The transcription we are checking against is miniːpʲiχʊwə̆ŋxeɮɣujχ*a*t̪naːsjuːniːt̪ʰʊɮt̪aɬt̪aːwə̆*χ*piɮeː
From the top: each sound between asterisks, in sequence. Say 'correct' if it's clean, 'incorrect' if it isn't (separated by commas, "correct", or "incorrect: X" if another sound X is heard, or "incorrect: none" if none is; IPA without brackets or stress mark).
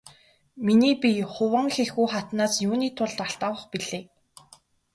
correct, correct